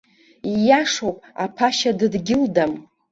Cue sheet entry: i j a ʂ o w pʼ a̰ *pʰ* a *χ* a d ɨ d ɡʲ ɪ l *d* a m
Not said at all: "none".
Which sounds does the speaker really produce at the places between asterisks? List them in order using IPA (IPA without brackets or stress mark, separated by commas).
pʰ, ʃ, d